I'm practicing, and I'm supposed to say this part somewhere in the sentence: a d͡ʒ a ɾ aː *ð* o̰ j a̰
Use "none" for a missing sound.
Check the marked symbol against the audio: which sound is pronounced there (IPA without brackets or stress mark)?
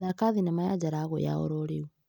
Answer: ɣ